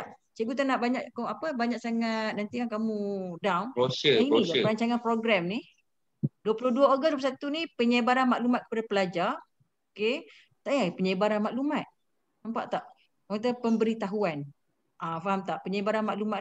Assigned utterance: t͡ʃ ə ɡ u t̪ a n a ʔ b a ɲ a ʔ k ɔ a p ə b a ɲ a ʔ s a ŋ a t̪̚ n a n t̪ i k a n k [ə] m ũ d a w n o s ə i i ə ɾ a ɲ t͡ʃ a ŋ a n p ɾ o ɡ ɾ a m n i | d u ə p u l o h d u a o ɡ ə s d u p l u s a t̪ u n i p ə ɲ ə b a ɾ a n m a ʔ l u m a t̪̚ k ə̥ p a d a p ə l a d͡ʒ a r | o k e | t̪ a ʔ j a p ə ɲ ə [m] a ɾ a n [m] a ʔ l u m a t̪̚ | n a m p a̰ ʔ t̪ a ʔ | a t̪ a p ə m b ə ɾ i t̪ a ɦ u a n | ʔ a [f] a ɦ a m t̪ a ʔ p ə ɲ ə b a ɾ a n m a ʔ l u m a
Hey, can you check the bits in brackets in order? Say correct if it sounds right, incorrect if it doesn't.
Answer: incorrect, incorrect, correct, correct

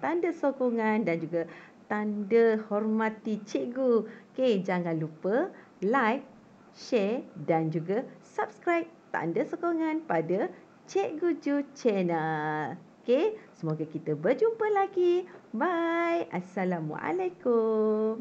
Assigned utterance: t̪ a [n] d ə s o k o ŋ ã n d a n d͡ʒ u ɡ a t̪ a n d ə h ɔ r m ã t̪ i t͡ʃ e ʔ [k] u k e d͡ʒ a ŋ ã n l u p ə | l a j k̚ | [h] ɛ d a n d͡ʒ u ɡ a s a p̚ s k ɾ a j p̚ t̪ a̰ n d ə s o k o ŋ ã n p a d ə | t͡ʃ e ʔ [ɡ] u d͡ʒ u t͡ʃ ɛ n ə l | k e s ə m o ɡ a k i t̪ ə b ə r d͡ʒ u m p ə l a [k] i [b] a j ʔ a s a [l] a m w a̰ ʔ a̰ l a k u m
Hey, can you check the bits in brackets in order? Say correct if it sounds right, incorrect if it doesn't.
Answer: correct, incorrect, incorrect, correct, incorrect, correct, correct

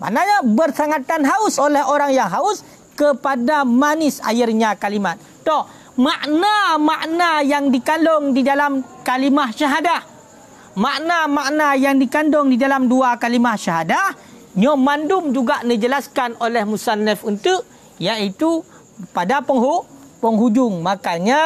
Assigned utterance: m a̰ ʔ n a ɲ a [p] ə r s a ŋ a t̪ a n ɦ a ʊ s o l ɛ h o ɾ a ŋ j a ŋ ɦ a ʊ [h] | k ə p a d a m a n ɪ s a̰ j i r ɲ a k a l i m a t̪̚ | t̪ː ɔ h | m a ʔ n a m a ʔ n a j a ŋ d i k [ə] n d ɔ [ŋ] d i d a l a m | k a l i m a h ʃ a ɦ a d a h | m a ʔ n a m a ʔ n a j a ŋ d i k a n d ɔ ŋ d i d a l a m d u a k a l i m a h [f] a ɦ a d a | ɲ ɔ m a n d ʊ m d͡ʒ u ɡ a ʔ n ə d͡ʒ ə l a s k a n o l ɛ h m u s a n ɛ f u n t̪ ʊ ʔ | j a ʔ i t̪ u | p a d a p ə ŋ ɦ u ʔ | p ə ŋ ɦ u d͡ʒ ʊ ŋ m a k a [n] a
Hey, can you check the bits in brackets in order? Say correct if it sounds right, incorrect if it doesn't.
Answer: incorrect, incorrect, incorrect, correct, incorrect, incorrect

